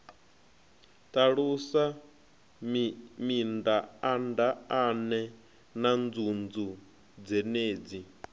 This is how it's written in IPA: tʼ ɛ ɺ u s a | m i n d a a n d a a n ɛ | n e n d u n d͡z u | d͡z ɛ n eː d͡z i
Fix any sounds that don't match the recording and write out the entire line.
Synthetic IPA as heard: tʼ a ɺ u s a | m i n d a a n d a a n ɛ | n a n d͡z u n d͡z u | d͡z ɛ n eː d͡z i